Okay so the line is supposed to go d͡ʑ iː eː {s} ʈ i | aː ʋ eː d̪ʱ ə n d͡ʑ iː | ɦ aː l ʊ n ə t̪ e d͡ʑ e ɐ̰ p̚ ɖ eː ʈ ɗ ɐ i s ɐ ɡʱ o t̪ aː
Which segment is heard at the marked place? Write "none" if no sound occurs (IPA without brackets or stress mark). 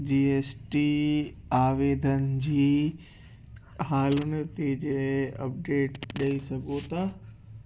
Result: s